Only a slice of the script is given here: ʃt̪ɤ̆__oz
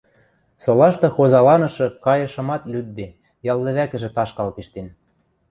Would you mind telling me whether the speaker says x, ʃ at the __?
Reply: x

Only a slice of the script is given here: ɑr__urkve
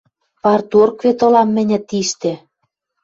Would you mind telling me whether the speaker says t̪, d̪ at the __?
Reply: t̪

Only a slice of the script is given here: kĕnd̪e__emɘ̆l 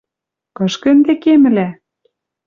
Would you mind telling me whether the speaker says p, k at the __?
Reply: k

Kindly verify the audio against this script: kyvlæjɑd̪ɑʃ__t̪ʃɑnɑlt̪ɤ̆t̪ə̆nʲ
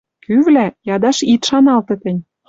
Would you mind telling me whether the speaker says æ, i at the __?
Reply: i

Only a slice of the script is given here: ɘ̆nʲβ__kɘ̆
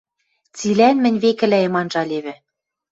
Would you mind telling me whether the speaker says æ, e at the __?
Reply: e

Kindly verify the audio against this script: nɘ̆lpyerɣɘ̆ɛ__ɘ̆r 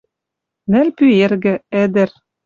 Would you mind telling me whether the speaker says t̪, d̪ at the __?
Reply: d̪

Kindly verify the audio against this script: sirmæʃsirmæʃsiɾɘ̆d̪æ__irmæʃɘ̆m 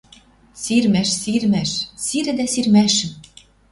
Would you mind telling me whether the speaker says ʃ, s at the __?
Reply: s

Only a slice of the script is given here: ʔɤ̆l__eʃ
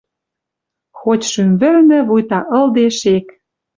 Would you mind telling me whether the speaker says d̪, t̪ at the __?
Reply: d̪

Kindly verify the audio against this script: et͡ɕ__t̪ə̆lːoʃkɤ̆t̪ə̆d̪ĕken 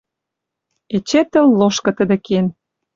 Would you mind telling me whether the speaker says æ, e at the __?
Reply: e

